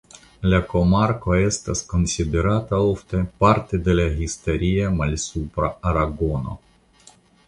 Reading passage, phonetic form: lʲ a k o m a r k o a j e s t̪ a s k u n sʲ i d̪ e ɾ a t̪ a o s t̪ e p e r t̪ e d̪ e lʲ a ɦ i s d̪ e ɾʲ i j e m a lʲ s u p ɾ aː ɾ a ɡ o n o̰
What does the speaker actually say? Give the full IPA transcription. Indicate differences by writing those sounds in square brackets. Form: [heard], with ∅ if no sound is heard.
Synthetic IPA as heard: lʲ a k o m a r k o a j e s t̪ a s k [o] n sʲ i d̪ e ɾ a t̪ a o [f] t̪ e p [a] r t̪ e d̪ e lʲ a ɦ i s [t̪] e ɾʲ i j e m a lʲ s u p ɾ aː ɾ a ɡ o n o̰